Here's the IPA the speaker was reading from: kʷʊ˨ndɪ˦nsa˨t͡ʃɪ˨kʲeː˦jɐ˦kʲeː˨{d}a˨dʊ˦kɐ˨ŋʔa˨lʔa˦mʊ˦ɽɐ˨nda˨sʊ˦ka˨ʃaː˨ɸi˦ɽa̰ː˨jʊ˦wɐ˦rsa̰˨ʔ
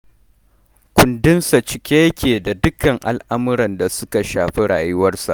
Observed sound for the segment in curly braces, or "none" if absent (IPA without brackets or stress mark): d